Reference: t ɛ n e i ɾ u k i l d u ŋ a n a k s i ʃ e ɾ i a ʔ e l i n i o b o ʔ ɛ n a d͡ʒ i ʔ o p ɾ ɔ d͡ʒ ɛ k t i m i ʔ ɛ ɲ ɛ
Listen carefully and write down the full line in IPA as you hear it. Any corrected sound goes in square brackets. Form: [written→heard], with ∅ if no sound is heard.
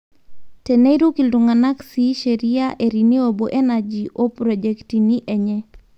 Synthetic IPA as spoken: t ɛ n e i ɾ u k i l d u ŋ a n a k s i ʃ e ɾ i a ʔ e [l→ɾ] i n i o b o ʔ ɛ n a d͡ʒ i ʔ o p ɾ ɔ d͡ʒ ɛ k t i [m→n] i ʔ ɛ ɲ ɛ